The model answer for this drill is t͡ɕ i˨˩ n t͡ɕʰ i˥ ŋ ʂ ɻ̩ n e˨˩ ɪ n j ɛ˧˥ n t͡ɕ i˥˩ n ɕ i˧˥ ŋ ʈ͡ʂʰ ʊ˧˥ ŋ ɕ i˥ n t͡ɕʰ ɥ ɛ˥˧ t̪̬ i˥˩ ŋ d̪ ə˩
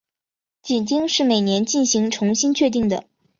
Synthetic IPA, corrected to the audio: t͡ɕ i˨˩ n t͡ɕ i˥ ŋ ʂ ɻ̩ m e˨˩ ɪ n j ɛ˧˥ n t͡ɕ i˥˩ n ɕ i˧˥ ŋ ʈ͡ʂʰ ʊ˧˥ ŋ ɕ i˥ n t͡ɕʰ ɥ ɛ˥˧ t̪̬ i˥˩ ŋ d̪ ə˩